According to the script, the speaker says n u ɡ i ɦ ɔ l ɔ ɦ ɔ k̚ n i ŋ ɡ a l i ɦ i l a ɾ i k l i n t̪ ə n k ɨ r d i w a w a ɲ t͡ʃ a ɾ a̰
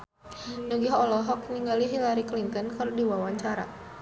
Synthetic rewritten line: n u ɡ i ɦ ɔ l ɔ ɦ ɔ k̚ n i ŋ ɡ a l i ɦ i l a ɾ i k l i n t̪ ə n k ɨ r d i w a w a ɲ t͡ʃ a ɾ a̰